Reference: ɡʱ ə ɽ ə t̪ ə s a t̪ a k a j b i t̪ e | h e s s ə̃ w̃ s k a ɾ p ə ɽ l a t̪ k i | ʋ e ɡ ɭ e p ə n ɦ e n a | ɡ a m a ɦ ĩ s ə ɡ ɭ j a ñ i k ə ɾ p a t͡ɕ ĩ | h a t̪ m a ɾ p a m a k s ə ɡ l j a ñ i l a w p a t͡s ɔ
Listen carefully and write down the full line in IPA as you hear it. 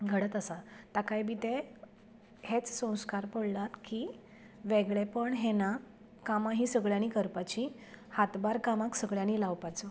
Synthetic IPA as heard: ɡʱ ə ɽ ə t̪ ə s a t̪ a k a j b i t̪ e | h e t͡s s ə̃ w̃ s k a ɾ p ə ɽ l a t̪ k i | ʋ e ɡ ɭ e p ə ɳ ɦ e n a | k a m a ɦ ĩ s ə ɡ ɭ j a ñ i k ə ɾ p a t͡ɕ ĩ | h a t̪ b a ɾ k a m a k s ə ɡ ɭ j a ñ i l a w p a t͡s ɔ